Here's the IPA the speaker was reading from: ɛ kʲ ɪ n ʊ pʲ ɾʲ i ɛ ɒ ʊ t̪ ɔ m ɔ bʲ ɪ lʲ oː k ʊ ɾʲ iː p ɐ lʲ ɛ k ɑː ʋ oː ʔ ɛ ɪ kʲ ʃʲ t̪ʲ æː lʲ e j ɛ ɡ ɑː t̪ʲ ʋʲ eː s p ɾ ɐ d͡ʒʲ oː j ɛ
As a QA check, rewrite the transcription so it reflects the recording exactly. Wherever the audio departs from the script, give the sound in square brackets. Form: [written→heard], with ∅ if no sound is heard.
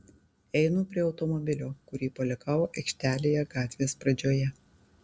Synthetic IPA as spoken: ɛ [kʲ→∅] ɪ n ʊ pʲ ɾʲ i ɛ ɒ ʊ t̪ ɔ m ɔ bʲ ɪ lʲ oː k ʊ ɾʲ iː p ɐ lʲ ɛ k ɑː ʋ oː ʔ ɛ ɪ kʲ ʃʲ t̪ʲ æː lʲ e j ɛ ɡ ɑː t̪ʲ ʋʲ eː s p ɾ ɐ d͡ʒʲ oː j ɛ

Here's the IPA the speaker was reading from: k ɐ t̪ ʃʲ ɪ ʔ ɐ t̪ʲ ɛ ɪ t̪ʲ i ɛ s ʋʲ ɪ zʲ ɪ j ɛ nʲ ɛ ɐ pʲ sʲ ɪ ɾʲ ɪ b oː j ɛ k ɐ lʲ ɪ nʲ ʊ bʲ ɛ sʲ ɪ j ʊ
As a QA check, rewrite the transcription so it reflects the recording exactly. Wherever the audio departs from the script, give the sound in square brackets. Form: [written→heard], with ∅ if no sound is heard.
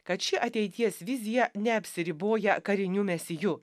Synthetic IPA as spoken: k ɐ t̪ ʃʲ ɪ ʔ ɐ t̪ʲ ɛ ɪ t̪ʲ i ɛ s ʋʲ ɪ zʲ ɪ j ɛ nʲ ɛ ɐ pʲ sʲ ɪ ɾʲ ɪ b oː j ɛ k ɐ [lʲ→ɾʲ] ɪ nʲ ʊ [bʲ→mʲ] ɛ sʲ ɪ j ʊ

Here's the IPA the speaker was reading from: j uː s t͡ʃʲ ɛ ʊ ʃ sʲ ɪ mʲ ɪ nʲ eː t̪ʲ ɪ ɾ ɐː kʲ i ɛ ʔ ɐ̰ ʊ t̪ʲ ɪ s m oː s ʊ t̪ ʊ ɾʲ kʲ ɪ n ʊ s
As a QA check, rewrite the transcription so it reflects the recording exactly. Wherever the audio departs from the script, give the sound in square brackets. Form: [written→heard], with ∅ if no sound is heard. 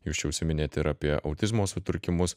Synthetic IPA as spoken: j uː s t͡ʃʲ ɛ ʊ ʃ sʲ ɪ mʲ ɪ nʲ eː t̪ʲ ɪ ɾ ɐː [kʲ→pʲ] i ɛ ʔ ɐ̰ ʊ t̪ʲ ɪ [s→z] m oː s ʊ t̪ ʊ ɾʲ kʲ ɪ [n→m] ʊ s

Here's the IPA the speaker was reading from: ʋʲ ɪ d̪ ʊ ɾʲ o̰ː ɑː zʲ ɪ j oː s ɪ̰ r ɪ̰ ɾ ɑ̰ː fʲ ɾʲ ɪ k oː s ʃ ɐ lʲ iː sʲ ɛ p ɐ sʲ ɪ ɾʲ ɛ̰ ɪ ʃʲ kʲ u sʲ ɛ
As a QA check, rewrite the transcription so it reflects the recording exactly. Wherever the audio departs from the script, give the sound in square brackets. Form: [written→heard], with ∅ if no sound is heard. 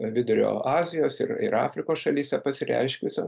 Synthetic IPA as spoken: ʋʲ ɪ d̪ ʊ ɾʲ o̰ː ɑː zʲ ɪ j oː s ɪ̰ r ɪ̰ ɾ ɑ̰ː fʲ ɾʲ ɪ k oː s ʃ ɐ lʲ iː sʲ ɛ p ɐ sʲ ɪ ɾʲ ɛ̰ ɪ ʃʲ kʲ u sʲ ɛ

